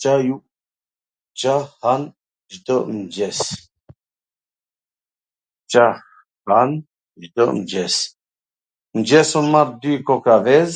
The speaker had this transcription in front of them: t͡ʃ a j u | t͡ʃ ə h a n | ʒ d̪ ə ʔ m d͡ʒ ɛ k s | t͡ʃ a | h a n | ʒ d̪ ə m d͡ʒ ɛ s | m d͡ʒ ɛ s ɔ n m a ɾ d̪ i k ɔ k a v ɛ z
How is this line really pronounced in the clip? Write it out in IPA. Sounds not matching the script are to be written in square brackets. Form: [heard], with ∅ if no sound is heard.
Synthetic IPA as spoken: t͡ʃ a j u | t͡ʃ [a] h a n | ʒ d̪ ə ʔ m d͡ʒ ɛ [∅] s | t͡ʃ a | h a n | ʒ d̪ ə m d͡ʒ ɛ s | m d͡ʒ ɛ s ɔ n m a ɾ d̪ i k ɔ k a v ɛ z